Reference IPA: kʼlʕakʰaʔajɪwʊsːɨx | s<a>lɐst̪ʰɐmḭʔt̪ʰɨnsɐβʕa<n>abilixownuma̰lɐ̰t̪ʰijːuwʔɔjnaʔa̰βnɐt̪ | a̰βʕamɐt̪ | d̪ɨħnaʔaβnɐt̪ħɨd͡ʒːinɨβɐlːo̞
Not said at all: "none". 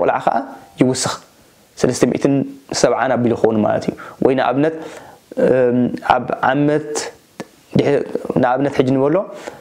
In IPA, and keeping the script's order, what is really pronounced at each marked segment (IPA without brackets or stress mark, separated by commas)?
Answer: ɐ, n